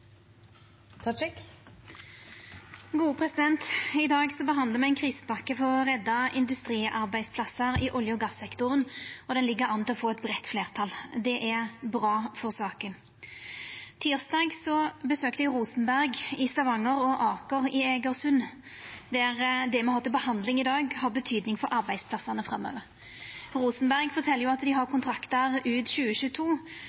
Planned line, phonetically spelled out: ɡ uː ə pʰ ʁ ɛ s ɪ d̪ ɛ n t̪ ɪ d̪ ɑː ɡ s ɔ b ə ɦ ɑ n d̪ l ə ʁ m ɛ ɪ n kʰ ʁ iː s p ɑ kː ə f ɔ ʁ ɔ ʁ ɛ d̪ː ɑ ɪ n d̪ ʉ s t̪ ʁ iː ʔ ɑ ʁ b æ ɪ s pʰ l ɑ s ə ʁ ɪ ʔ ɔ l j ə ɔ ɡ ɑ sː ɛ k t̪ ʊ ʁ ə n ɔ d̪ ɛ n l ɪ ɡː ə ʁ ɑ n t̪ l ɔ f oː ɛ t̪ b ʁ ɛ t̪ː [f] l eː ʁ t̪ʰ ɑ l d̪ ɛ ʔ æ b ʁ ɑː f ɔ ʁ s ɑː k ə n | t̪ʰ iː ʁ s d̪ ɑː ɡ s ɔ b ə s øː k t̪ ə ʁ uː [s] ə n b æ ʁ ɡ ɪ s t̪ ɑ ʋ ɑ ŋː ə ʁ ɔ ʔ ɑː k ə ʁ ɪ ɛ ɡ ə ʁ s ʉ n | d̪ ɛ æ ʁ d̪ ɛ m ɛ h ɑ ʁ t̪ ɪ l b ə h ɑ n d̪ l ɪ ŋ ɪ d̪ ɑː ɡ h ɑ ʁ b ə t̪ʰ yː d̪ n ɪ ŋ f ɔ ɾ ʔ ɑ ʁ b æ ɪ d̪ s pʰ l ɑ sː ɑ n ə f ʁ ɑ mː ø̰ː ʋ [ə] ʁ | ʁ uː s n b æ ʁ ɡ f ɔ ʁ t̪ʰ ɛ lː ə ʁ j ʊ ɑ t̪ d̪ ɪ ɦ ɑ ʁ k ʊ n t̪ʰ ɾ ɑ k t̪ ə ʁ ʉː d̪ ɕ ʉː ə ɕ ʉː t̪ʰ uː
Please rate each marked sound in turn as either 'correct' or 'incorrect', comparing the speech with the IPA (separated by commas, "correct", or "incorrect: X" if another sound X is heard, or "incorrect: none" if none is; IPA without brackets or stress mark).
correct, correct, correct